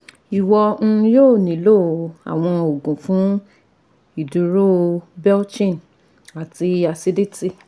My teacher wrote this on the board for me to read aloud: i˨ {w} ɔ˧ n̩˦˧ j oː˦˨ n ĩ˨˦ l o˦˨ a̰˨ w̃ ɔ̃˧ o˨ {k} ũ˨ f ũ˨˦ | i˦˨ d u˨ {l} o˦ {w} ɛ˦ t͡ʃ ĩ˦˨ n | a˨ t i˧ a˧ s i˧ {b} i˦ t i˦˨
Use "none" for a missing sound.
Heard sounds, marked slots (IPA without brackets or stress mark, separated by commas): w, ɡ, ɾ, b, d